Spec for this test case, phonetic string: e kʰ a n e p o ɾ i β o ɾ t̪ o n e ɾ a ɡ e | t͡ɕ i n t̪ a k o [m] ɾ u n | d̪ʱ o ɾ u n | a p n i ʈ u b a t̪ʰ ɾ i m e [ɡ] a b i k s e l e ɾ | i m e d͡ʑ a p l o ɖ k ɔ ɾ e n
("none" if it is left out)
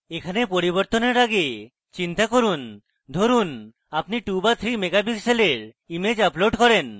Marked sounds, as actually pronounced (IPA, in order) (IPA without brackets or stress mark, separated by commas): none, ɡ